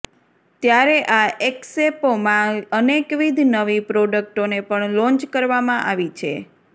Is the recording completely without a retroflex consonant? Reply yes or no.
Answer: no